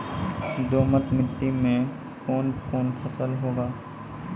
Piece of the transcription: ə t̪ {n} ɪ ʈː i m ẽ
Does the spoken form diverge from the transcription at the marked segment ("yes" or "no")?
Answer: yes